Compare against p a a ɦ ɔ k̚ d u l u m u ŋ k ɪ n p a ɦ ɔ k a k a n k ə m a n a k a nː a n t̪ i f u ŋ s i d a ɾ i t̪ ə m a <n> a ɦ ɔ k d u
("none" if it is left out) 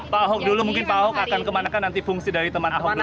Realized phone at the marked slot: n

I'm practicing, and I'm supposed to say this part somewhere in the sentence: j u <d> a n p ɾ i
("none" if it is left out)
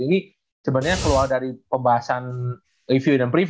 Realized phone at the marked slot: d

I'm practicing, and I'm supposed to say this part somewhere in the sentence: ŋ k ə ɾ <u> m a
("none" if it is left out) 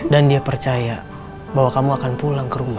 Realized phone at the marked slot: u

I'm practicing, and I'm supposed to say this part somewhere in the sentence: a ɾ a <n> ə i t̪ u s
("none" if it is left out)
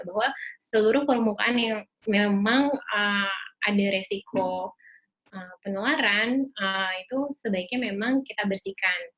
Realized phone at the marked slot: n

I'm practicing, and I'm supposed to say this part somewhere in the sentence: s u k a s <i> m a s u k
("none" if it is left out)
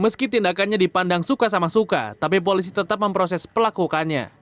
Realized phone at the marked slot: a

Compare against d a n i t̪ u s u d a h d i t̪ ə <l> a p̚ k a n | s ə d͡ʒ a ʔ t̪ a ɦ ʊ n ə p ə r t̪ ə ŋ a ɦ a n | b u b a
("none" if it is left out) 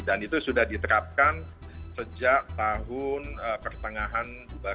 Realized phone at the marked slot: ɾ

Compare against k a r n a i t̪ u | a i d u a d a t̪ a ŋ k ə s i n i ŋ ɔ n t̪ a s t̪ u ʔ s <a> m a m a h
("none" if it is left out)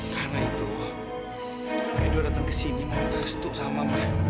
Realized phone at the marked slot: a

